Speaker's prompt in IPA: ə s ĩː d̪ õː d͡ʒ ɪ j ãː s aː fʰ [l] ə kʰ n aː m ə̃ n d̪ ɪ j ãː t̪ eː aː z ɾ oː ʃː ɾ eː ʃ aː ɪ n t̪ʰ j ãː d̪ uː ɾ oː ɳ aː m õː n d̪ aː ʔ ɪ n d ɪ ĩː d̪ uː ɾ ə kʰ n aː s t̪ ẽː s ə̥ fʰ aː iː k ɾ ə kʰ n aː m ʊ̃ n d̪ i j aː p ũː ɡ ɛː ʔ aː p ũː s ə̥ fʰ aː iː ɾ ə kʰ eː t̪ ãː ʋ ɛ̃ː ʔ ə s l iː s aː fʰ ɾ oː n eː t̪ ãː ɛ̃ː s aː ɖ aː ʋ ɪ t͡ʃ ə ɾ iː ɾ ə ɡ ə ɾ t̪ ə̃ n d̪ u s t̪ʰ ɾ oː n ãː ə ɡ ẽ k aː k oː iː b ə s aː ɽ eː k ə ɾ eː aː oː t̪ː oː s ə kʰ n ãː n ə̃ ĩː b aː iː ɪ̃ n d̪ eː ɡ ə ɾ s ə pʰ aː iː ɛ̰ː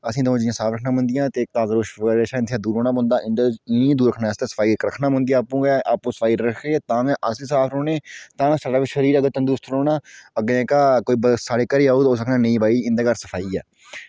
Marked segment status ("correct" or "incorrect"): incorrect